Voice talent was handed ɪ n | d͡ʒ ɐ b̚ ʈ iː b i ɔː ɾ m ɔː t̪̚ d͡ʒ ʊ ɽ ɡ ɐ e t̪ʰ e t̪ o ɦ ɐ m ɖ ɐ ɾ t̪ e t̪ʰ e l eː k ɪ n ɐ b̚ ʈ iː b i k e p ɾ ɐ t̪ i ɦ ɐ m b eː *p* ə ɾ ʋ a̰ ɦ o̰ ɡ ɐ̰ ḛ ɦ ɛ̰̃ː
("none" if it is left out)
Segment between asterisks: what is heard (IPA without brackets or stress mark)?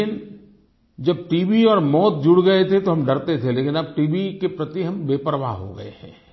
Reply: p